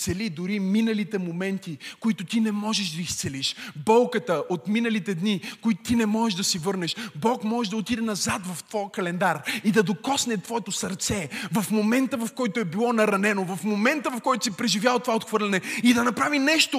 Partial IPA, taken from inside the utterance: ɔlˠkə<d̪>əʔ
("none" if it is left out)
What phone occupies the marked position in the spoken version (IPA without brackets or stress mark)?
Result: t̪